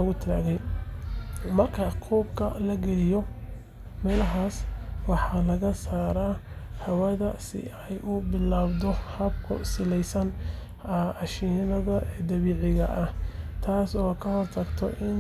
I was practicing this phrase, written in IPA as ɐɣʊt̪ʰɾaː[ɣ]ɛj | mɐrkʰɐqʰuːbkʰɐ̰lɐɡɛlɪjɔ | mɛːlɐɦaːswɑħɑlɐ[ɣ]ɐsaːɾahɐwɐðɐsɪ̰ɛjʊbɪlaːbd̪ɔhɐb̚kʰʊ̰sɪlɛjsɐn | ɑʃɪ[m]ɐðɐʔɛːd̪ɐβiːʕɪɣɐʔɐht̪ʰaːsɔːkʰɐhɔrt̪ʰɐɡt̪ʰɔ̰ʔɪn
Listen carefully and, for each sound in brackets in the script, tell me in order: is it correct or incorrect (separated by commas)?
correct, correct, incorrect